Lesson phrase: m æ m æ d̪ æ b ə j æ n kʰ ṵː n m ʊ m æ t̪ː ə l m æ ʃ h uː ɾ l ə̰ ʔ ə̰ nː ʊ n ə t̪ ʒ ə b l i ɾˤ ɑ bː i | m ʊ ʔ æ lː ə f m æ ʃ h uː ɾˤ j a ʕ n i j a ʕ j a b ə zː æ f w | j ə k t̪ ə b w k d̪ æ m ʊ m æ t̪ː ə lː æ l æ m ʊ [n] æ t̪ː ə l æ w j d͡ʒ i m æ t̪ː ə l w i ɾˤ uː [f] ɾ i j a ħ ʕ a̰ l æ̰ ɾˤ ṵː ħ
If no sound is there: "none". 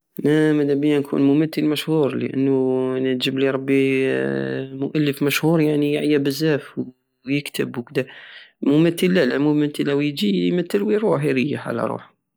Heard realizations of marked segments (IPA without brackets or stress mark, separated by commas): m, ħ